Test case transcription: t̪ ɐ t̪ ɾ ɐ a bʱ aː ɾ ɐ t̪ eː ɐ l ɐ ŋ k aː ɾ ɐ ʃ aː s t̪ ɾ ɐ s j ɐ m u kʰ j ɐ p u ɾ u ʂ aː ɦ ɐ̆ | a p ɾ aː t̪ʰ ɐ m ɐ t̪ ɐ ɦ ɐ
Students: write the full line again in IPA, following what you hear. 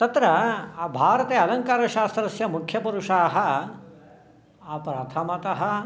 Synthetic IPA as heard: t̪ ɐ t̪ ɾ ɐ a bʱ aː ɾ ɐ t̪ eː ɐ l ɐ ŋ k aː ɾ ɐ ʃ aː s t̪ ɾ ɐ s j ɐ m u kʰ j ɐ p u ɾ u ʂ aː ɦ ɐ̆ | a p ɾ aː t̪ʰ ɐ m ɐ t̪ ɐ ɦ ɐ

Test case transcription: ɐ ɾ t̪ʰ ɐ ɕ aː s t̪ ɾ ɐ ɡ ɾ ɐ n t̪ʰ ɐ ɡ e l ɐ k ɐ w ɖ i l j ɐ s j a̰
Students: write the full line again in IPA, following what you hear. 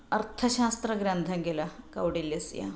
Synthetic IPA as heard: ɐ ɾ t̪ʰ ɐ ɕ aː s t̪ ɾ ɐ ɡ ɾ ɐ n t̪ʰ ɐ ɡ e l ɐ k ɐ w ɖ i l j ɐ s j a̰

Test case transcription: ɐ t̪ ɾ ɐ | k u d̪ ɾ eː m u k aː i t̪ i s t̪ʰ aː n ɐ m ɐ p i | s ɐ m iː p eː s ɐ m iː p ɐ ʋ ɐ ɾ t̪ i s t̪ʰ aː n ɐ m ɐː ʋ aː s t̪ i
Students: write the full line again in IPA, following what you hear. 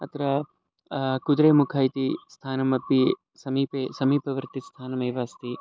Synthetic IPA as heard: ɐ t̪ ɾ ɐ | k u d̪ ɾ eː m u kʰ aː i t̪ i s t̪ʰ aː n ɐ m ɐ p i | s ɐ m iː p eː s ɐ m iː p ɐ ʋ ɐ ɾ t̪ i s t̪ʰ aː n ɐ m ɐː ʋ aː s t̪ i

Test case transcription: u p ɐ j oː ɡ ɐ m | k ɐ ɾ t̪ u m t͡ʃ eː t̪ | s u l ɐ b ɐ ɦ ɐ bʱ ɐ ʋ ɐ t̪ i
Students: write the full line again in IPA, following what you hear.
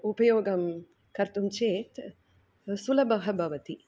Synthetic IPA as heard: u p ɐ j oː ɡ ɐ m | k ɐ ɾ t̪ u m t͡ʃ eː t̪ | s u l ɐ b ɐ ɦ ɐ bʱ ɐ ʋ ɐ t̪ i

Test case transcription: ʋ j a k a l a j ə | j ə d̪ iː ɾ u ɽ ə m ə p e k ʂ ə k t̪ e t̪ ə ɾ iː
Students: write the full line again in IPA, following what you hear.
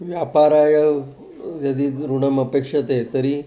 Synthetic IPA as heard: ʋ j a p a ɾ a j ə | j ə d̪ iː ɾ u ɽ ə m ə p e k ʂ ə t̪ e t̪ ə ɾ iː

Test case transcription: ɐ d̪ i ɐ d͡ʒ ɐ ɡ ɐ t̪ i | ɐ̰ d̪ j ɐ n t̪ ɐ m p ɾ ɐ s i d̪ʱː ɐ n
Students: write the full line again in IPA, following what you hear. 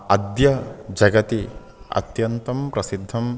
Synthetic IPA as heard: ɐ d̪ j ɐ d͡ʒ ɐ ɡ ɐ t̪ i | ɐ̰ t̪ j ɐ n t̪ ɐ m p ɾ ɐ s i d̪ʱː ɐ m

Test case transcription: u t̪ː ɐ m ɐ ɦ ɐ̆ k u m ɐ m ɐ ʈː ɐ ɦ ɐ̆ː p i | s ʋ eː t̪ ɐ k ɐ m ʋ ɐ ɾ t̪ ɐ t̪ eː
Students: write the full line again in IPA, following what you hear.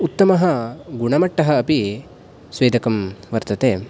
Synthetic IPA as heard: u t̪ː ɐ m ɐ ɦ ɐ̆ ɡ u ɳ ɐ m ɐ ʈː ɐ ɦ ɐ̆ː p i | s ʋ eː d̪ ɐ k ɐ m ʋ ɐ ɾ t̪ ɐ t̪ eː

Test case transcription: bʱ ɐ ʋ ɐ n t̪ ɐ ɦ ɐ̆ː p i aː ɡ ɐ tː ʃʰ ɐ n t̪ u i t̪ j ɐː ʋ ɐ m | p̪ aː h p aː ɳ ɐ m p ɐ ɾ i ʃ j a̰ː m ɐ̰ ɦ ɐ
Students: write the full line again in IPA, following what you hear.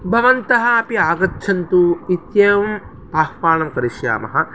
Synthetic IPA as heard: bʱ ɐ ʋ ɐ n t̪ ɐ ɦ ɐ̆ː p i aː ɡ ɐ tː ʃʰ ɐ n t̪ u i t̪ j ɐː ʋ ɐ m | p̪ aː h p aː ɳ ɐ m k ɐ ɾ i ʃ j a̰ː m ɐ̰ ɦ ɐ

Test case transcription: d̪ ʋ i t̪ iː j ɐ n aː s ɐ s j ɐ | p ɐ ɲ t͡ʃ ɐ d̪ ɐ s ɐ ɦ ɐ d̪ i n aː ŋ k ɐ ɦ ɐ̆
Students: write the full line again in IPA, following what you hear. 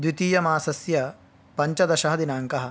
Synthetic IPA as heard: d̪ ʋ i t̪ iː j ɐ m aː s ɐ s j ɐ | p ɐ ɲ t͡ʃ ɐ d̪ ɐ ʃ ɐ ɦ ɐ d̪ i n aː ŋ k ɐ ɦ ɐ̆

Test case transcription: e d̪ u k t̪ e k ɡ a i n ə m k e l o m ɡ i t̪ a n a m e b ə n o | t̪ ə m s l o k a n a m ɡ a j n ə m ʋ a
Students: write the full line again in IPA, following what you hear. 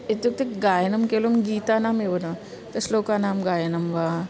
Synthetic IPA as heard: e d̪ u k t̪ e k ɡ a j n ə m k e l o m ɡ i t̪ a n a m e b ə n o | t̪ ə s l o k a n a m ɡ a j n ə m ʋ a

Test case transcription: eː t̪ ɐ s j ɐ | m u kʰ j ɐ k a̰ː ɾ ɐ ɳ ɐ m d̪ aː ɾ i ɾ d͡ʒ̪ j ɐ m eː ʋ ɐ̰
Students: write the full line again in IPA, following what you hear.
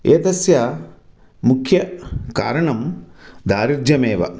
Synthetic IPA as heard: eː t̪ ɐ s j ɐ | m u kʰ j ɐ k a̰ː ɾ ɐ ɳ ɐ m d̪ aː ɾ i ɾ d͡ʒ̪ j ɐ m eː ʋ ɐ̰

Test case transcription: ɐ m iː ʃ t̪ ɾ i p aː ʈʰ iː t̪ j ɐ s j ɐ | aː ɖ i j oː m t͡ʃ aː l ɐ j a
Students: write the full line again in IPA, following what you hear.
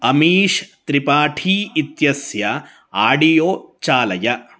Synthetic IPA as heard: ɐ m iː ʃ t̪ ɾ i p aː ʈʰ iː t̪ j ɐ s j ɐ | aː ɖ i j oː t͡ʃ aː l ɐ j ɐ

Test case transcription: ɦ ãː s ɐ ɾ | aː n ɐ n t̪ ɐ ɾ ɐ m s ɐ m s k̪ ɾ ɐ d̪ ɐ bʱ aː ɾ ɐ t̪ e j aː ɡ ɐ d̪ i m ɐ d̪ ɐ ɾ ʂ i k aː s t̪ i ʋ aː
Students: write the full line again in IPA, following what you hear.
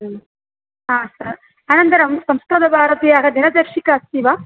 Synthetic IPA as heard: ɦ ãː s ɐ ɾ | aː n ɐ n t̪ ɐ ɾ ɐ m s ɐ m s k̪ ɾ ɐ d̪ ɐ bʱ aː ɾ ɐ t̪ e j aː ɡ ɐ d̪ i n ɐ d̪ ɐ ɾ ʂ i k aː s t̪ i ʋ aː

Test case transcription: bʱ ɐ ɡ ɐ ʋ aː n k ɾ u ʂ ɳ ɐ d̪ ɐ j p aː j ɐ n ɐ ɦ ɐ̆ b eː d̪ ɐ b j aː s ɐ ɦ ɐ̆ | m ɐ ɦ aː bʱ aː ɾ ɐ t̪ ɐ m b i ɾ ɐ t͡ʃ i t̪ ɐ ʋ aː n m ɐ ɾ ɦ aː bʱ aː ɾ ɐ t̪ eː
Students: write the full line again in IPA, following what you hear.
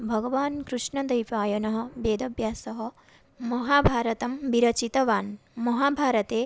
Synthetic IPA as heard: bʱ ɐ ɡ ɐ ʋ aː n k ɾ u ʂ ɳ ɐ d̪ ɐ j p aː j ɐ n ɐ ɦ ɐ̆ b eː d̪ ɐ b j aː s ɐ ɦ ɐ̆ | m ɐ ɦ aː bʱ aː ɾ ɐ t̪ ɐ m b i ɾ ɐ t͡ʃ i t̪ ɐ ʋ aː n m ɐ ɦ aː bʱ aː ɾ ɐ t̪ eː

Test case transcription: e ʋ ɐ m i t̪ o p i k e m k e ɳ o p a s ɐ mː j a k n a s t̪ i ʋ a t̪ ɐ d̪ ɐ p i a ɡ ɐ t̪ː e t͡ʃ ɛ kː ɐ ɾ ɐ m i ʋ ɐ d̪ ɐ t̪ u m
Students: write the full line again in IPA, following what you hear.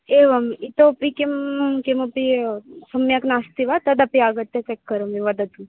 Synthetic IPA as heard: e ʋ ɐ m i t̪ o p i k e m k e m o p i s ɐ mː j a k n a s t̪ i ʋ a t̪ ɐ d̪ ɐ p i a ɡ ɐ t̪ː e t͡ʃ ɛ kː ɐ ɾ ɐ m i ʋ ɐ d̪ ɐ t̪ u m

